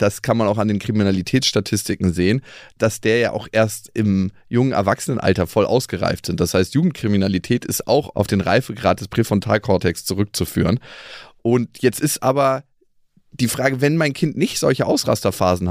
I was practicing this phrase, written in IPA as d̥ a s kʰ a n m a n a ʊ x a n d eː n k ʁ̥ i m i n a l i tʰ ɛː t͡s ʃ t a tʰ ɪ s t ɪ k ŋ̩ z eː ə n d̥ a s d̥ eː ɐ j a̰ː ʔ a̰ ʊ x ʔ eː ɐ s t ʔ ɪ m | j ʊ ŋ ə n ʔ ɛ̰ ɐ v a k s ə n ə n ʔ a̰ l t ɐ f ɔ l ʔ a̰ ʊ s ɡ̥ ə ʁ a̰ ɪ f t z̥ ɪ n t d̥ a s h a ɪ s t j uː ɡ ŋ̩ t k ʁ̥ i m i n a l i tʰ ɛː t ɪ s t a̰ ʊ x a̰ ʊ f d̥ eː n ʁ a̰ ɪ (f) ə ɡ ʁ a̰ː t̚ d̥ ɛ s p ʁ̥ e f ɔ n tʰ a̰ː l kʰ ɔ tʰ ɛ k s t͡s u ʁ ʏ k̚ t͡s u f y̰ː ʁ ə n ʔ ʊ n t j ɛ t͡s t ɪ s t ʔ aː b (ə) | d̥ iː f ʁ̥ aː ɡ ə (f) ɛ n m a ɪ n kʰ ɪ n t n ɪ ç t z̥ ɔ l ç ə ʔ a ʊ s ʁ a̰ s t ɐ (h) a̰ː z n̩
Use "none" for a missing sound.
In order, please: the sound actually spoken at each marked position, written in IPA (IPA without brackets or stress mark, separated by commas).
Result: f, ɐ, v, f